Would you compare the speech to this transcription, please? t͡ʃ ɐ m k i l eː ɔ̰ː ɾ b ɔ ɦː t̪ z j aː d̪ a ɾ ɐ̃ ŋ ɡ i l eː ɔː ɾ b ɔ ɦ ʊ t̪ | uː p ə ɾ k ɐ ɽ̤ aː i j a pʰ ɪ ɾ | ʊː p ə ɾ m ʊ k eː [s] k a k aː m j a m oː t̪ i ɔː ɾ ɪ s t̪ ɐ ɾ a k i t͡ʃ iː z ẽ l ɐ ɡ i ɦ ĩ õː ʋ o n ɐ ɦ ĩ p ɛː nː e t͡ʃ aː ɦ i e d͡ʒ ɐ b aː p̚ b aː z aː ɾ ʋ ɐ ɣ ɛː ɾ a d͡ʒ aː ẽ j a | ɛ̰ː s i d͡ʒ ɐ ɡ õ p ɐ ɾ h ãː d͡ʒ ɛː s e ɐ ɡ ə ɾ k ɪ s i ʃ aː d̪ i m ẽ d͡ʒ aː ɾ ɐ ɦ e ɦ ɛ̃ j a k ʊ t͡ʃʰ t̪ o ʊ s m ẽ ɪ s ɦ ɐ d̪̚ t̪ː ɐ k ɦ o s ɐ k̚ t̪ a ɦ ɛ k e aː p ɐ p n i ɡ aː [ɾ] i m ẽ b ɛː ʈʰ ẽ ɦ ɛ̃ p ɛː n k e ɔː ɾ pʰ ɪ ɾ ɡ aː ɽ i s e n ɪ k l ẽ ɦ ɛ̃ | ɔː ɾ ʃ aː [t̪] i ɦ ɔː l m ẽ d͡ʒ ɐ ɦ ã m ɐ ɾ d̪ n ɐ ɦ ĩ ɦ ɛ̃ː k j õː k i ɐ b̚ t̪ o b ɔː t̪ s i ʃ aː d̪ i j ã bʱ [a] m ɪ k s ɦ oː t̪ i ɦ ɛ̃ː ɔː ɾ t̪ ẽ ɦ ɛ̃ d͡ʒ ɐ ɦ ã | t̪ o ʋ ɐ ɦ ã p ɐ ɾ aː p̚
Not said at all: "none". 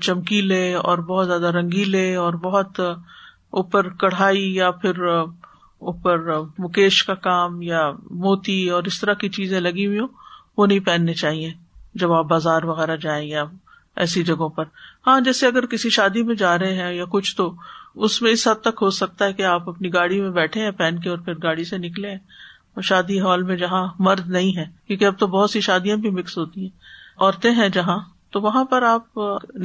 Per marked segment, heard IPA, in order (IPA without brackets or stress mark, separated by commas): ʃ, ɽ, d̪, i